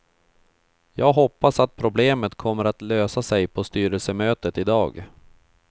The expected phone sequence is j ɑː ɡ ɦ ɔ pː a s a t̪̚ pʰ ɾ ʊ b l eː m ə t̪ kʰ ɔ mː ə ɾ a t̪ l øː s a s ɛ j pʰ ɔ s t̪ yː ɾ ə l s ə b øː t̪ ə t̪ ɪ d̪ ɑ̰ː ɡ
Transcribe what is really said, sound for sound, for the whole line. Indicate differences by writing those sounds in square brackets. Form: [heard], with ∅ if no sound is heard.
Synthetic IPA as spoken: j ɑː ɡ ɦ ɔ pː a s a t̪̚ pʰ ɾ ʊ b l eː m ə t̪ kʰ ɔ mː ə ɾ a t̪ l øː s a s ɛ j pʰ ɔ s t̪ yː ɾ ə l s ə [m] øː t̪ ə t̪ ɪ d̪ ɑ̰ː ɡ